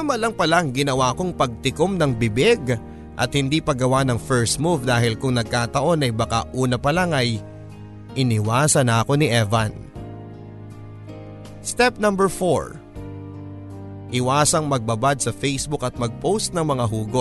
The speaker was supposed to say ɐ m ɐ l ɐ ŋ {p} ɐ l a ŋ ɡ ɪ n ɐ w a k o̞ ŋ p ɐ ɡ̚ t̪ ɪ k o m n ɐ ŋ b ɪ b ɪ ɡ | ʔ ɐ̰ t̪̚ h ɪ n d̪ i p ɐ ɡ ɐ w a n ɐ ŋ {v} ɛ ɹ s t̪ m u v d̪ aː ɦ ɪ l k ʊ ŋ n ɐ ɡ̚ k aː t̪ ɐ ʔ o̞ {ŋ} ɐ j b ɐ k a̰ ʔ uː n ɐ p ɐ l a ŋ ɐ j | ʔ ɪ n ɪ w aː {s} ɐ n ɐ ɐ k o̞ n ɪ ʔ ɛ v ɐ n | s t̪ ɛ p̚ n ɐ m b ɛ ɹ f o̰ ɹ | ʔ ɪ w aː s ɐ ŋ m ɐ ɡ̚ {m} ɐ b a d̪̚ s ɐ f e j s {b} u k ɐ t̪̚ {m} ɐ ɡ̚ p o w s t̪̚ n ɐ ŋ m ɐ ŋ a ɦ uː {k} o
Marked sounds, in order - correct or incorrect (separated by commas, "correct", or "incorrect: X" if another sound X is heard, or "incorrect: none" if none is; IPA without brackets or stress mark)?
correct, incorrect: f, incorrect: n, correct, incorrect: b, correct, correct, incorrect: ɡ